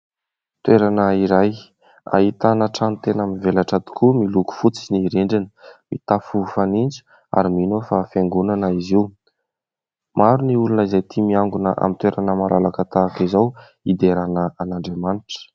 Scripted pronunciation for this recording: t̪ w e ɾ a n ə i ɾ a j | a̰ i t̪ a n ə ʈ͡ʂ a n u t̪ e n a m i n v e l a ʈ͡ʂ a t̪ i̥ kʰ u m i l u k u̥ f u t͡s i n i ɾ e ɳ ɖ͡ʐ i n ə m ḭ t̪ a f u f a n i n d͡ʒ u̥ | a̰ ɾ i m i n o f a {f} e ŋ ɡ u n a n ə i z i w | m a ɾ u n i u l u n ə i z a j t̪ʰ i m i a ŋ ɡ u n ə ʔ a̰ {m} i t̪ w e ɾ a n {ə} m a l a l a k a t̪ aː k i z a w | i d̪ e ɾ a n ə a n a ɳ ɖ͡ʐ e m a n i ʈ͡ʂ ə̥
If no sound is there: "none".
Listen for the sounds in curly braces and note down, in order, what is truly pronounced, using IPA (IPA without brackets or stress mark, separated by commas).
f, m, ə